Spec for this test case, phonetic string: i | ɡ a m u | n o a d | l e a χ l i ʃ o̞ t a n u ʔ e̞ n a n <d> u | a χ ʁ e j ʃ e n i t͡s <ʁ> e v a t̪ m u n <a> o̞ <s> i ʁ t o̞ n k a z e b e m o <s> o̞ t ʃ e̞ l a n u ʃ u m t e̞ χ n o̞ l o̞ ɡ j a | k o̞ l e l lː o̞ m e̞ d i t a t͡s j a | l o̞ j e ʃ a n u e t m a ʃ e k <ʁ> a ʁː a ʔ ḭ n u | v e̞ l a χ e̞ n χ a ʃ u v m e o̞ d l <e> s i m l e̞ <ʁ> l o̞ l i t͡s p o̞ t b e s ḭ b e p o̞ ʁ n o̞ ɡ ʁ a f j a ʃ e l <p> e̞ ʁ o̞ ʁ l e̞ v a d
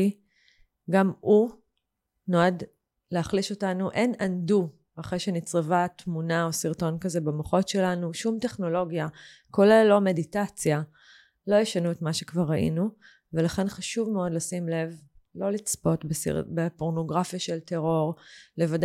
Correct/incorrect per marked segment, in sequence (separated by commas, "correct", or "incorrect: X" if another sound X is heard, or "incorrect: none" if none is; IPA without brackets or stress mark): correct, correct, correct, correct, incorrect: χ, incorrect: v, incorrect: a, incorrect: v, incorrect: t